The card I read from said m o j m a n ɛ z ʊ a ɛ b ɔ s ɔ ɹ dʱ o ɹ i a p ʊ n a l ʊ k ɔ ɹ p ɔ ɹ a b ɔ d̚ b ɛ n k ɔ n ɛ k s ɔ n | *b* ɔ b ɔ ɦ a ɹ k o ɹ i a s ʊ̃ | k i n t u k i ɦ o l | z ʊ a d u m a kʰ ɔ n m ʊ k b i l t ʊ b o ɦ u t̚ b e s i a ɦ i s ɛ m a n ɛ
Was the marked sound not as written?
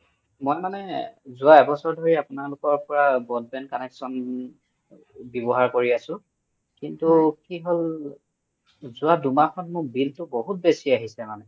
no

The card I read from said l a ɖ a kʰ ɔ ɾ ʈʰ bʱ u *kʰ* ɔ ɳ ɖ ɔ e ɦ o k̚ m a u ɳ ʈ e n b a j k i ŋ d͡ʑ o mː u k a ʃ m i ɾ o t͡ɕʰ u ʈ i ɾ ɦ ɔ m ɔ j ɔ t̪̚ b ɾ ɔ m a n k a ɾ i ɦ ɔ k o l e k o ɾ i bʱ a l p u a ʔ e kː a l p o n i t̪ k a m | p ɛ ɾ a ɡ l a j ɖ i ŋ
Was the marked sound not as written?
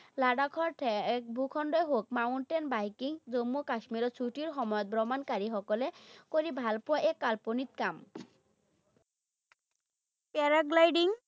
no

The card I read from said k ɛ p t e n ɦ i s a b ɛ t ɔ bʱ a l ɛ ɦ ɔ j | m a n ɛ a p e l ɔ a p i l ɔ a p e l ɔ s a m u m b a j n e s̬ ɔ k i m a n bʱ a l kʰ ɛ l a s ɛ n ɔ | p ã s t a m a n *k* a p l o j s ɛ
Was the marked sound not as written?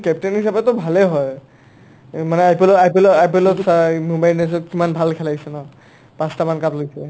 no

